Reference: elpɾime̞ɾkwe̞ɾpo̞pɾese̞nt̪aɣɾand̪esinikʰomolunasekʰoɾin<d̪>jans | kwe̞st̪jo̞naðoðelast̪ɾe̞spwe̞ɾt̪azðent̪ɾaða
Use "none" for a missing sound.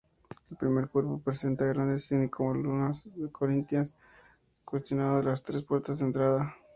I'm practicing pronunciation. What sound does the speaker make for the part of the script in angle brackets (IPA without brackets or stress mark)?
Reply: t̪